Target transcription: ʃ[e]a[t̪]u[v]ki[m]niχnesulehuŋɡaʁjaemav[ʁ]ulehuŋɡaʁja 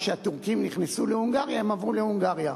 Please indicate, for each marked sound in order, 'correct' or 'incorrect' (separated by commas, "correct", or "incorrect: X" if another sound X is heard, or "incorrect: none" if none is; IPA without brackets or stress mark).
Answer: correct, correct, incorrect: ʁ, correct, correct